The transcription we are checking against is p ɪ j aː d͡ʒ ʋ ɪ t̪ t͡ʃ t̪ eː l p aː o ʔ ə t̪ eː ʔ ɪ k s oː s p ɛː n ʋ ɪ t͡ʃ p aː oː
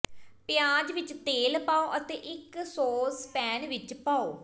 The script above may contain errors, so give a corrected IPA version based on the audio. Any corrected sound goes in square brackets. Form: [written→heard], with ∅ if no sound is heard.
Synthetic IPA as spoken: p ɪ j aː d͡ʒ ʋ ɪ [t̪→∅] t͡ʃ t̪ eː l p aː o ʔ ə t̪ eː ʔ ɪ k s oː s p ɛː n ʋ ɪ t͡ʃ p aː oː

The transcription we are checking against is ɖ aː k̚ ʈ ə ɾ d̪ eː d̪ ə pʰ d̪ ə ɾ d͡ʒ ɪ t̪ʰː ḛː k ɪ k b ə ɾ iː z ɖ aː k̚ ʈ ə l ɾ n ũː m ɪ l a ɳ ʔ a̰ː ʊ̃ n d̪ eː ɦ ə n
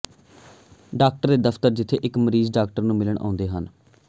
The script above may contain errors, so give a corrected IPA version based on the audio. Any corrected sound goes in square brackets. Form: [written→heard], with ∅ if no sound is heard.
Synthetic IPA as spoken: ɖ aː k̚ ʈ ə ɾ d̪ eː d̪ ə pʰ [d̪→t̪] ə ɾ d͡ʒ ɪ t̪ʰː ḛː [k→ʔ] ɪ k [b→m] ə ɾ iː z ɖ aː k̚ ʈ ə [l→∅] ɾ n ũː m ɪ l [a→ə] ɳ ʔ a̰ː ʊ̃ n d̪ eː ɦ ə n

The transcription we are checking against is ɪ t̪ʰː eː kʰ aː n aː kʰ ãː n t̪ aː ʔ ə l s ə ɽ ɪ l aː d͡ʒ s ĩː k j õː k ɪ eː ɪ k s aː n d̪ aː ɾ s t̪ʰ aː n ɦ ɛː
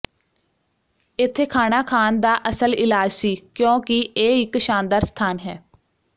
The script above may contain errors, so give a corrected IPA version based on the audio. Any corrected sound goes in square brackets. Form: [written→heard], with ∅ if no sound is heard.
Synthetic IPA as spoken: ɪ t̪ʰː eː kʰ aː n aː kʰ [ãː→aː] n [t̪→d̪] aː ʔ ə [l→∅] s ə [ɽ→l] ɪ l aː d͡ʒ s [ĩː→iː] k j õː k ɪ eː ɪ k [s→ʃ] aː n d̪ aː ɾ s t̪ʰ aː n ɦ ɛː

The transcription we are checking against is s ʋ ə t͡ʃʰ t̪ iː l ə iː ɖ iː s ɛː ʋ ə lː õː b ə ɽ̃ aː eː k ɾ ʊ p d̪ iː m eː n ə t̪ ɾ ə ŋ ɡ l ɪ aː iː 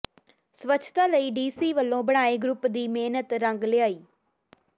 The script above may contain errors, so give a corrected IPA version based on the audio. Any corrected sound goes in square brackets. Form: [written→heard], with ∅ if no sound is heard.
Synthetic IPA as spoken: s ʋ ə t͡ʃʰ t̪ [iː→aː] l ə iː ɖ iː s [ɛː→iː] ʋ ə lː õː b ə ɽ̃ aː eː [k→ɡ] ɾ ʊ p d̪ iː m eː n ə t̪ ɾ ə ŋ ɡ l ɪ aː iː

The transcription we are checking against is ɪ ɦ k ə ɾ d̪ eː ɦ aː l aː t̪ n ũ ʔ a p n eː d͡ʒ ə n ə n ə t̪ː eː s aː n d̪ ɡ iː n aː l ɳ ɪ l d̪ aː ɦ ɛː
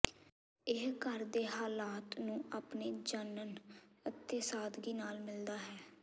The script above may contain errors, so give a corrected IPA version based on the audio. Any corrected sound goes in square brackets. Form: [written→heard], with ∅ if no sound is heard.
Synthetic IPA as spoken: ɪ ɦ k ə ɾ d̪ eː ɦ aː l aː t̪ n [ũ→ũː] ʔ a p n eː d͡ʒ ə n ə n ə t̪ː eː s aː [n→∅] d̪ ɡ iː n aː l [ɳ→m] ɪ l d̪ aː ɦ ɛː

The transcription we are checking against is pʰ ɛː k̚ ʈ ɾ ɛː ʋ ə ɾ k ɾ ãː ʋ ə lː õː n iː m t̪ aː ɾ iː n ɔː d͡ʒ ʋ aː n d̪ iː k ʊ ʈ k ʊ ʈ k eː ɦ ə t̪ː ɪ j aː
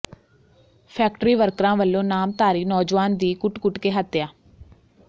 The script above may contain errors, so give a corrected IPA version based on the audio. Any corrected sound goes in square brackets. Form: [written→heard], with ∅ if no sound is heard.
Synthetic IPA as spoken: pʰ ɛː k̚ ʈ ɾ [ɛː→iː] ʋ ə ɾ k ɾ ãː ʋ ə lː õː n [iː→aː] m t̪ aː ɾ iː n ɔː d͡ʒ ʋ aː n d̪ iː k ʊ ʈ k ʊ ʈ k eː ɦ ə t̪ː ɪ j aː

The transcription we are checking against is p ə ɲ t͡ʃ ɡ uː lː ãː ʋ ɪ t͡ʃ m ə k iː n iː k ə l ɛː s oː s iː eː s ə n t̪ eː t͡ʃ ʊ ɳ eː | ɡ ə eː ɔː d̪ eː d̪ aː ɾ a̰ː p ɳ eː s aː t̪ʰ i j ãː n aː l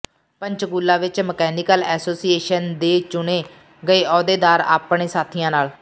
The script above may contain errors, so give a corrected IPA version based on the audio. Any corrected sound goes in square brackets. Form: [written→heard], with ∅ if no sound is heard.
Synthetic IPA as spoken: p ə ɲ t͡ʃ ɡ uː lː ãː ʋ ɪ t͡ʃ m ə k [iː→ɛː] n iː k ə l ɛː s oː s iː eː [s→ʃ] ə n [t̪→d̪] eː t͡ʃ ʊ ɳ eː | ɡ ə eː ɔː d̪ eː d̪ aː ɾ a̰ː p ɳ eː s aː t̪ʰ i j ãː n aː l

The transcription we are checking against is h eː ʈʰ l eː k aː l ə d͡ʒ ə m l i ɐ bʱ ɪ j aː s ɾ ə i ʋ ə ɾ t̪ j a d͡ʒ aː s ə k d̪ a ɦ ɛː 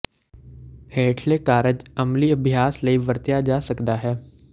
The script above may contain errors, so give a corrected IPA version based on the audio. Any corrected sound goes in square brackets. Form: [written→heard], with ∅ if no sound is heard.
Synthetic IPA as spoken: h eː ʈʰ l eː k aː [l→ɾ] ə d͡ʒ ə m l i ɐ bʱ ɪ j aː s [ɾ→l] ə i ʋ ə ɾ t̪ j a d͡ʒ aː s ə k d̪ a ɦ ɛː

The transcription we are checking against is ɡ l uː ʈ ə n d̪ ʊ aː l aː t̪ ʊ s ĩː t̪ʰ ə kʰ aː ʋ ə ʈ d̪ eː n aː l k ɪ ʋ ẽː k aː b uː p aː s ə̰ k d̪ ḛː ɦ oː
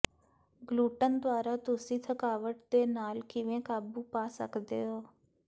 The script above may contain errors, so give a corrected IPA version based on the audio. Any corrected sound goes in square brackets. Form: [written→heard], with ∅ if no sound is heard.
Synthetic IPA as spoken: ɡ l uː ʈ ə n d̪ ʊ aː [l→ɾ] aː t̪ ʊ s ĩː t̪ʰ ə [kʰ→k] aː ʋ ə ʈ d̪ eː n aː l k ɪ ʋ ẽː k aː b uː p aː s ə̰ k d̪ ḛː ɦ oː

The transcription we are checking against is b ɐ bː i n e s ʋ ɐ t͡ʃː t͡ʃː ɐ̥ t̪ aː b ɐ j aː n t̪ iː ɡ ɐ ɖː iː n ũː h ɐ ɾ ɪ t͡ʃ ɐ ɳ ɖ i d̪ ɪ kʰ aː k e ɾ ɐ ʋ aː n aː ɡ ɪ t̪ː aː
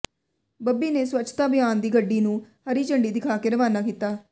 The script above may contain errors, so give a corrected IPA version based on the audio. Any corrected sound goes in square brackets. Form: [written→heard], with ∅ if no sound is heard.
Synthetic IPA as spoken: b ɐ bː i n e s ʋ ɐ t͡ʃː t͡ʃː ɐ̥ t̪ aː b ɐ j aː n [t̪→d̪] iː ɡ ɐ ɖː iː n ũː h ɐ ɾ [ɪ→i] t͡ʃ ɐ ɳ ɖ i d̪ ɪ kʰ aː k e ɾ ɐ ʋ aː n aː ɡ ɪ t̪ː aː

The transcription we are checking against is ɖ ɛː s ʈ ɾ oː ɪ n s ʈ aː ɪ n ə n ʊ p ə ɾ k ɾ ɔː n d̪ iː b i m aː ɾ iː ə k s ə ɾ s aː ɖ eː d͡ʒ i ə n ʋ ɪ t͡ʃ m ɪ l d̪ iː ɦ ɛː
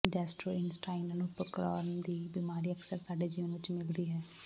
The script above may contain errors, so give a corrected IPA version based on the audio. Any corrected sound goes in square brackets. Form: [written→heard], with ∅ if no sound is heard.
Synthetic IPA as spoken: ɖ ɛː s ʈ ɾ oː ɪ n s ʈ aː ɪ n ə n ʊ p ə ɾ k ɾ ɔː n d̪ iː b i m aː ɾ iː ə k s ə ɾ s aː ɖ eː d͡ʒ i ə n ʋ ɪ t͡ʃ m ɪ l d̪ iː ɦ ɛː

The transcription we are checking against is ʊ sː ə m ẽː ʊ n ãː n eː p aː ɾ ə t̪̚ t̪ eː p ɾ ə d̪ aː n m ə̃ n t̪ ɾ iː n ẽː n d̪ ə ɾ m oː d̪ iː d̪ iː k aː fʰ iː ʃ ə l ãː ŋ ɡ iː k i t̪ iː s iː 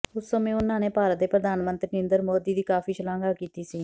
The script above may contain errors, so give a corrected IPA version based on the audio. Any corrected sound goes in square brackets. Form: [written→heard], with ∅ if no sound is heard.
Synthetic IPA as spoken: ʊ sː ə m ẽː ʊ n ãː n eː p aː ɾ ə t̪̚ [t̪→d̪] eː p ɾ ə d̪ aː n m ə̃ n t̪ ɾ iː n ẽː n d̪ ə ɾ m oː d̪ iː d̪ iː k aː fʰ iː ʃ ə l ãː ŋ ɡ [iː→aː] k [i→iː] t̪ iː s iː

